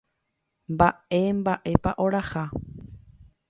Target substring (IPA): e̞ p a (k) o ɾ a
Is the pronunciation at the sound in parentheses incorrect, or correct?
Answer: incorrect: ʔ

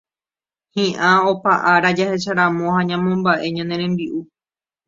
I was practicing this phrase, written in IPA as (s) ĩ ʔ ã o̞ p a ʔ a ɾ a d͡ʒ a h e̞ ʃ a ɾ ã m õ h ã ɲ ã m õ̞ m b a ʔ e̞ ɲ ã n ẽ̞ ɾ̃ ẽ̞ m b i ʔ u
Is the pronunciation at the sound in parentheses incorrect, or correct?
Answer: incorrect: h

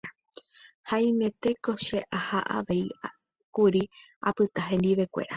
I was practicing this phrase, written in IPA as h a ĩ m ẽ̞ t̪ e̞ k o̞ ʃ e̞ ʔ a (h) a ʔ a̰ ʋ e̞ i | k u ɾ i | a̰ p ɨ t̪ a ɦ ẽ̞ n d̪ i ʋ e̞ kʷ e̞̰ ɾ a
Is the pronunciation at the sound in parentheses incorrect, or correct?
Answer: correct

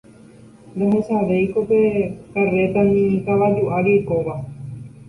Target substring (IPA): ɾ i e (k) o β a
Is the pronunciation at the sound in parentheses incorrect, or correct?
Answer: correct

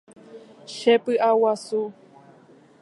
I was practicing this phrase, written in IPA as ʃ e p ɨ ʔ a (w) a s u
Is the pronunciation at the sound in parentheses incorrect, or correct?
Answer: correct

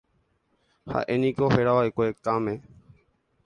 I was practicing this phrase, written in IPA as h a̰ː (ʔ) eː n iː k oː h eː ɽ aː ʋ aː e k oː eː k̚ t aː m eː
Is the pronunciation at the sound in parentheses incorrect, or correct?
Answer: correct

